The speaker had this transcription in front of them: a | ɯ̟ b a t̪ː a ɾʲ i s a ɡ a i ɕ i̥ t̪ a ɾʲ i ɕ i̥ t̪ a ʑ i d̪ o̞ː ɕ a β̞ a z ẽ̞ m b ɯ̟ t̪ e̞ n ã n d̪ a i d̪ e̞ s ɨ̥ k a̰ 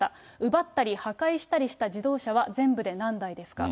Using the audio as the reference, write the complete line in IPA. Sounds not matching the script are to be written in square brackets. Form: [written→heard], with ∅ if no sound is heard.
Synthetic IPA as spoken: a | ɯ̟ b a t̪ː a ɾʲ i [s→h] a [ɡ→k] a i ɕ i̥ t̪ a ɾʲ i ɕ i̥ t̪ a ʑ i d̪ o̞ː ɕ a β̞ a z ẽ̞ m b ɯ̟ [t̪→d̪] e̞ n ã n d̪ a i d̪ e̞ s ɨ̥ k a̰